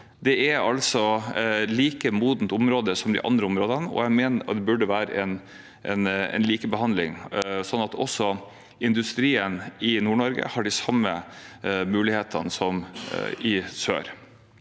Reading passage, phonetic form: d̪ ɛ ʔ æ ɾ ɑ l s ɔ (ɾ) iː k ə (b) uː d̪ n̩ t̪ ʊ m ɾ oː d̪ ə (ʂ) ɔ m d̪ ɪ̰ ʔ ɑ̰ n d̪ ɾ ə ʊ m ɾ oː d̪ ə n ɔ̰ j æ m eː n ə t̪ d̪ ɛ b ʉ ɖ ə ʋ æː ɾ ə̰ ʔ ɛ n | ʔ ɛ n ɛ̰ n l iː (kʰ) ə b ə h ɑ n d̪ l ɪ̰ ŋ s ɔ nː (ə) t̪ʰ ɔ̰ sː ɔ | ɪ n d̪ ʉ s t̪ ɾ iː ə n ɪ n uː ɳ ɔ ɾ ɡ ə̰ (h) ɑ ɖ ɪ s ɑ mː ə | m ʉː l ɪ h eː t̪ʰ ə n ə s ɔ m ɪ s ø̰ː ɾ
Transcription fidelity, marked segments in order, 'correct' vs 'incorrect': incorrect: l, incorrect: m, incorrect: s, incorrect: k, incorrect: ɑ, correct

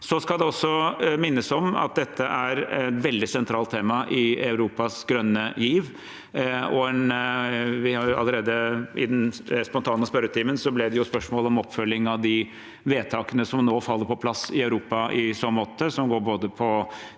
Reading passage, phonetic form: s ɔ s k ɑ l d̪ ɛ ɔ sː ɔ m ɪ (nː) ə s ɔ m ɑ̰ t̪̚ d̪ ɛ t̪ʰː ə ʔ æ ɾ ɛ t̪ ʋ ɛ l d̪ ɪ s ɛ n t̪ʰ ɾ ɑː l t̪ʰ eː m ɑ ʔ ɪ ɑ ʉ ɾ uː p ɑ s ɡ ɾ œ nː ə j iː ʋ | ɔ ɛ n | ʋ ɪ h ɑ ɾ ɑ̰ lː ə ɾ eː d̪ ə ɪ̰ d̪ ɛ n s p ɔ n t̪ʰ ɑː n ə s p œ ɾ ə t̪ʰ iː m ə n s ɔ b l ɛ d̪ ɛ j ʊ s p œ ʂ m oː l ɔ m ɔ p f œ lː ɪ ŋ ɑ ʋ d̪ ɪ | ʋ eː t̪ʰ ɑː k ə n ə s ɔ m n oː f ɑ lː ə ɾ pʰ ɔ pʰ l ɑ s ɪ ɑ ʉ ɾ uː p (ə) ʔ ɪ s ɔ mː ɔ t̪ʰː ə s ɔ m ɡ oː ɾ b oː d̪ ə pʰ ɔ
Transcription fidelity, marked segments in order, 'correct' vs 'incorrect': correct, incorrect: ɑ

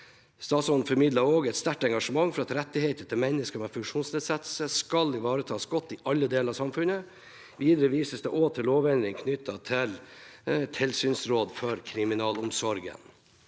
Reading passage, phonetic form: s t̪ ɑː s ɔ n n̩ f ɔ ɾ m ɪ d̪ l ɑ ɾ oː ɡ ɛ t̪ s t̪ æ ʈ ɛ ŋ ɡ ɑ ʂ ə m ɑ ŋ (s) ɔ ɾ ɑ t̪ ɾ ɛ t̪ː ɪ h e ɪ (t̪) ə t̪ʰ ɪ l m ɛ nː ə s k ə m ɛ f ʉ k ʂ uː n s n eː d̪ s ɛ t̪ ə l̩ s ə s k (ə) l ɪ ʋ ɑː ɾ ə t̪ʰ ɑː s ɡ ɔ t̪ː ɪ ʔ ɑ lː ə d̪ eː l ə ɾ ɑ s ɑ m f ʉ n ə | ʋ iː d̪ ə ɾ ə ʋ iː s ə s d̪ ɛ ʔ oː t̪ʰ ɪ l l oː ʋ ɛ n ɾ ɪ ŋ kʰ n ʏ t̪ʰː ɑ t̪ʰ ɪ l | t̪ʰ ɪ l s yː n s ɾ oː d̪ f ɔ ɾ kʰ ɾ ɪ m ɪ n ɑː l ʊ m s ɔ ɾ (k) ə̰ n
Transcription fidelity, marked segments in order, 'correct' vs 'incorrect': incorrect: f, correct, incorrect: ɑ, incorrect: ɡ

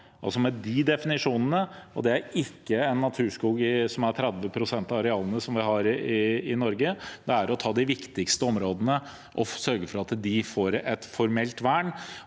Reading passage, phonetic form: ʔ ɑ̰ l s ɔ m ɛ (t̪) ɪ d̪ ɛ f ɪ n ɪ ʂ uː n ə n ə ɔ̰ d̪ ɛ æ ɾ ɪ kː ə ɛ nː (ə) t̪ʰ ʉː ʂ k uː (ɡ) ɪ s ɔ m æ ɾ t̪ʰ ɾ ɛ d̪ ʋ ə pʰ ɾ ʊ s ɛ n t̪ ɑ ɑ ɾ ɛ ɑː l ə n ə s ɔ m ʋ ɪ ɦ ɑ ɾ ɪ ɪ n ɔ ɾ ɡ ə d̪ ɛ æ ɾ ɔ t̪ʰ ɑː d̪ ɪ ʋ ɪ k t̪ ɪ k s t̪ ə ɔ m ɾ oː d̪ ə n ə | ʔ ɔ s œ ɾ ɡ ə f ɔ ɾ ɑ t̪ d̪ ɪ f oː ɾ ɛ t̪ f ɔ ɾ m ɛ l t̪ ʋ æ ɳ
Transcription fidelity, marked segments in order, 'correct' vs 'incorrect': incorrect: d̪, incorrect: ɑ, correct

